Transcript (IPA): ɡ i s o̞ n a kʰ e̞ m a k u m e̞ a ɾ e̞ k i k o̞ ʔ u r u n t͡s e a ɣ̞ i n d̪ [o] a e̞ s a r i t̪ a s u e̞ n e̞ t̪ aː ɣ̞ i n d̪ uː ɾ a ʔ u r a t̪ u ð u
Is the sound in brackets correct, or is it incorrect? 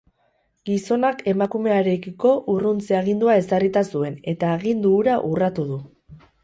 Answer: incorrect